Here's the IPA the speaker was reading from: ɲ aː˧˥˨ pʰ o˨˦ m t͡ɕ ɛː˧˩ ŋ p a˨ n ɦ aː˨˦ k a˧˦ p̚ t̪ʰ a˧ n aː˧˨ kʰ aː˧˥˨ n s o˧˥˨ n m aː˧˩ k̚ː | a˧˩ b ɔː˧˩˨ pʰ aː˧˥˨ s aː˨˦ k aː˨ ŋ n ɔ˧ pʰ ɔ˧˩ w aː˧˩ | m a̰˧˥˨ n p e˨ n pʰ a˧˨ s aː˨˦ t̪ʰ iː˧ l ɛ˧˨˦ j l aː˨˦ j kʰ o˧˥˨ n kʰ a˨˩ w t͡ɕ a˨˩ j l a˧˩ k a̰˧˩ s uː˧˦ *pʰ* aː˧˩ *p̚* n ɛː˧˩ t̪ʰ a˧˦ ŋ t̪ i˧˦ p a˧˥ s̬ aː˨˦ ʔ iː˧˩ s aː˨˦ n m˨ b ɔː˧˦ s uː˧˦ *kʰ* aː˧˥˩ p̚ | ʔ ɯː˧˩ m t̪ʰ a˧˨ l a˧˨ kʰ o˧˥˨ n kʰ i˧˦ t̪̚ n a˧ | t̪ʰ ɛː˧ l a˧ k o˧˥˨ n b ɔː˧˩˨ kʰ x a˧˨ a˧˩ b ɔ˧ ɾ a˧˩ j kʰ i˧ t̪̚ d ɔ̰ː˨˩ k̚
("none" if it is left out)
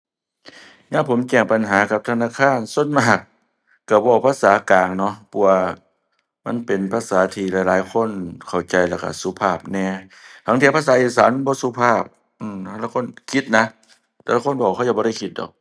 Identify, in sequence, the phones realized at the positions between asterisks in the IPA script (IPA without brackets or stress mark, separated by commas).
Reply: pʰ, p̚, pʰ